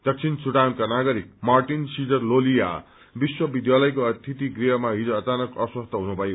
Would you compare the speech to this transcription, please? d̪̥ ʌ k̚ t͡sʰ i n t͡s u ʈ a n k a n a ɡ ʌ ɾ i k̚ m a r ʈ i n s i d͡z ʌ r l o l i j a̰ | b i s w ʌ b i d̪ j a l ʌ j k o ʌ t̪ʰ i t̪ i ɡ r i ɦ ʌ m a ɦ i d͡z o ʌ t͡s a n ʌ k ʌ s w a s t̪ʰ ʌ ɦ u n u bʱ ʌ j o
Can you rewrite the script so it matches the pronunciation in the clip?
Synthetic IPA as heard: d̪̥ ʌ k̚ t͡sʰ i n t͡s u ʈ a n k a n a ɡ ʌ ɾ i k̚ m a r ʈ i n s i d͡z ʌ r l o l i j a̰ | b i s w ʌ b i d̪ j a l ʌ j k o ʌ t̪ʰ i t̪ i ɡ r i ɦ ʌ m a ɦ i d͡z o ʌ t͡s a n ʌ k ʌ s w ʌ s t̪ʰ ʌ ɦ u n u bʱ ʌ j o